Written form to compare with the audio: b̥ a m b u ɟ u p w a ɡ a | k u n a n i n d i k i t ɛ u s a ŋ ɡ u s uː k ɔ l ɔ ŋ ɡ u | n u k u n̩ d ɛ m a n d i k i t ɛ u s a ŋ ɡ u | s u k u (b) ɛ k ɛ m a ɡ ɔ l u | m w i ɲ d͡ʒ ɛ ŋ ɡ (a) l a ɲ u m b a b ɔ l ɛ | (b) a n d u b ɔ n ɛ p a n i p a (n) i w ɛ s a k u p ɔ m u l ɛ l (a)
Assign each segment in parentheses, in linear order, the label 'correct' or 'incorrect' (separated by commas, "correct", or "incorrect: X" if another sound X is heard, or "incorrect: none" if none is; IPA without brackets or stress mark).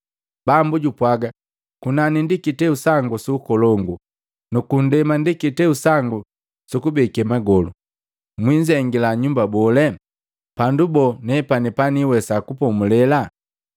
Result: correct, incorrect: i, incorrect: p, correct, correct